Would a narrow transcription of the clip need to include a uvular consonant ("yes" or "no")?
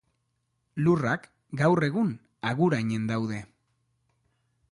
no